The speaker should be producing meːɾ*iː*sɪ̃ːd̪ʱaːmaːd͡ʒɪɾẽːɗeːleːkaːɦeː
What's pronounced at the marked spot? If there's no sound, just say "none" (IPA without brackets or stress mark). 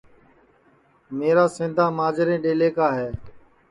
aː